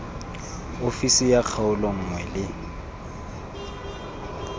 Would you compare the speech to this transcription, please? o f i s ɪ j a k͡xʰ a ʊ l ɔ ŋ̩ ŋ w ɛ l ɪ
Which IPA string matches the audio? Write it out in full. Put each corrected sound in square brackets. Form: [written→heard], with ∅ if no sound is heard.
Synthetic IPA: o f i s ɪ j a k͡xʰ a ʊ l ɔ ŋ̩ ŋ w ɛ l ɪ